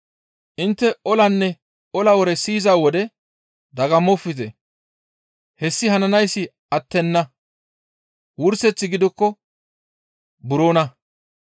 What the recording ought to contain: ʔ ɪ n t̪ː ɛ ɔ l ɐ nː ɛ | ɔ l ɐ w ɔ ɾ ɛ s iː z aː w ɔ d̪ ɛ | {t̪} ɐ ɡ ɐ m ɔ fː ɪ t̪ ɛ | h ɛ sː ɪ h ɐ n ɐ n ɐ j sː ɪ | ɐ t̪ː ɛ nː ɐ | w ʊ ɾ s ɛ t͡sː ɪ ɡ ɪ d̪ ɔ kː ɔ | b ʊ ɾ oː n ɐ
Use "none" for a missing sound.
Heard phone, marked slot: d̪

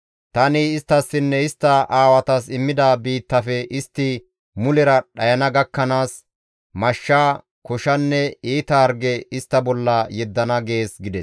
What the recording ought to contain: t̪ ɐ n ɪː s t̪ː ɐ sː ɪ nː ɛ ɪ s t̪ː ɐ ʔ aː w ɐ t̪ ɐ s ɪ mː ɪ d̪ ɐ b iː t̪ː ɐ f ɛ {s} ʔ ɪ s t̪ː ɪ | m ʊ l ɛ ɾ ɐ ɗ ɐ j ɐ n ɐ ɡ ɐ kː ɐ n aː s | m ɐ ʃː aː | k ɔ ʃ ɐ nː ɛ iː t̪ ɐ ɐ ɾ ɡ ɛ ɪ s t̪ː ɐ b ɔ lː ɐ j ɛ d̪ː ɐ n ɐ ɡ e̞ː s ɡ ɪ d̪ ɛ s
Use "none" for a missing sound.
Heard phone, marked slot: none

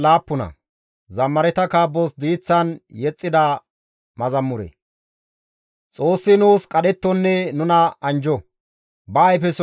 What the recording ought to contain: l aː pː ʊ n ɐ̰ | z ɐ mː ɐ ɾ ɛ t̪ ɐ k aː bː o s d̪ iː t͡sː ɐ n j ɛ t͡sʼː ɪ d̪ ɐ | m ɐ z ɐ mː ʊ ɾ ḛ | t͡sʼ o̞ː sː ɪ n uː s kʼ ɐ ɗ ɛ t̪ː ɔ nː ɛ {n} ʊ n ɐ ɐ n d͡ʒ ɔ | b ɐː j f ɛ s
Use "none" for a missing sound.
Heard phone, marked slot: n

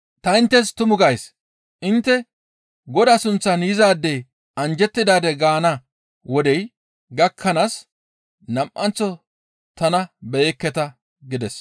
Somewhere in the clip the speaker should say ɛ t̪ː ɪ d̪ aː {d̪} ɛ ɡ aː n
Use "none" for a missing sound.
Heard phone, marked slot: d̪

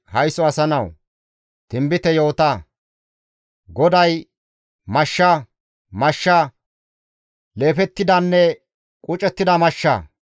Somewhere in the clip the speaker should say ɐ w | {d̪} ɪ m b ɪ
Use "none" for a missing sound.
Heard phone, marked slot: t̪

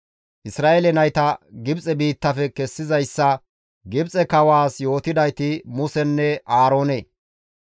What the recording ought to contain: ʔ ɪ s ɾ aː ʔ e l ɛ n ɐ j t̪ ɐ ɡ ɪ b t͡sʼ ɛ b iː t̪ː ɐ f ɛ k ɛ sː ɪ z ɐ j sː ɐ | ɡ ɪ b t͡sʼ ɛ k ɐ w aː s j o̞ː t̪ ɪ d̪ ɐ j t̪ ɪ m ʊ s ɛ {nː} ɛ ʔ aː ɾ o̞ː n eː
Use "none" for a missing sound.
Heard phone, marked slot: nː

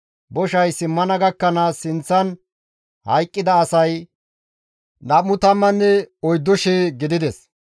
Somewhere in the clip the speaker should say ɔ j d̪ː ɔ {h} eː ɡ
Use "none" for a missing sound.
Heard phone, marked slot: ʃ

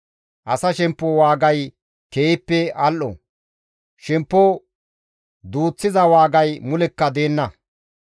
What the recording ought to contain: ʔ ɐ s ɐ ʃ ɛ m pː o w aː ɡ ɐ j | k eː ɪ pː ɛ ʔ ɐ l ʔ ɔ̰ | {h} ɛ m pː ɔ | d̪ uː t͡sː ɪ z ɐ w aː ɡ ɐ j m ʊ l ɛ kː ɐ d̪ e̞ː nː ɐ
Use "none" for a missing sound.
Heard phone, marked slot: ʃ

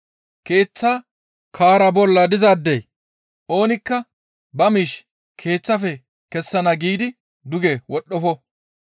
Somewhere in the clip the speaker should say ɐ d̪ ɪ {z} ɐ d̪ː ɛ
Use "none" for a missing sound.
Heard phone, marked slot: z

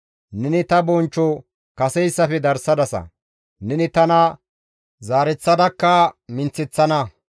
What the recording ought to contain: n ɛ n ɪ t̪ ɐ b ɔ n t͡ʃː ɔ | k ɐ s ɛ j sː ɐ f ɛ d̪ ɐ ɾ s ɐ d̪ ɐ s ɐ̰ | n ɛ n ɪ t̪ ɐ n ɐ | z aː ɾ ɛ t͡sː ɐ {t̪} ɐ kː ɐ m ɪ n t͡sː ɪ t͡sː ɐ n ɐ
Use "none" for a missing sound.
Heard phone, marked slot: d̪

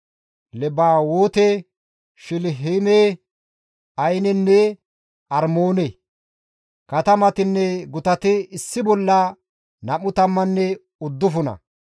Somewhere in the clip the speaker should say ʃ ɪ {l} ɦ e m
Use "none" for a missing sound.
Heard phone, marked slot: l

